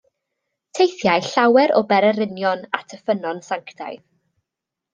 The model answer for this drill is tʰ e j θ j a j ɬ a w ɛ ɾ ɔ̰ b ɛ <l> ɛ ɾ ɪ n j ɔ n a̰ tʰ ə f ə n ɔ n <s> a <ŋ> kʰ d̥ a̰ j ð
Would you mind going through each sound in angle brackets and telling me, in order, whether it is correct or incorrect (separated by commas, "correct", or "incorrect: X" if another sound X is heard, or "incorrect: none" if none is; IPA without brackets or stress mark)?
incorrect: ɾ, correct, correct